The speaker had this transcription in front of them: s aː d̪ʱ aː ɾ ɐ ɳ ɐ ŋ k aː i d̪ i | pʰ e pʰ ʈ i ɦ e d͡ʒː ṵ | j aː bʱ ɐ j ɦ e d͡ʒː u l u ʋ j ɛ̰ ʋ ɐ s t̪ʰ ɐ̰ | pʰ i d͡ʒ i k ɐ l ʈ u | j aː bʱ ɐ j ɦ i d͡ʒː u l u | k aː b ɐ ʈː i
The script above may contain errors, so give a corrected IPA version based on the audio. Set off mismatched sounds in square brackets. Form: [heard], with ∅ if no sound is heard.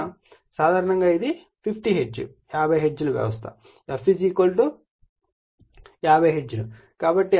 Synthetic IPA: s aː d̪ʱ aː ɾ ɐ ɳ ɐ ŋ [ɡ] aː i d̪ i | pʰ [i] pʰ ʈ i ɦ e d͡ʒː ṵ | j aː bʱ ɐ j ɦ e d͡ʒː u l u ʋ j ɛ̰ ʋ ɐ s t̪ʰ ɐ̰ | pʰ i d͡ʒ i k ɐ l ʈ u | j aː bʱ ɐ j ɦ [e] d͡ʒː u l u | k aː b ɐ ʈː i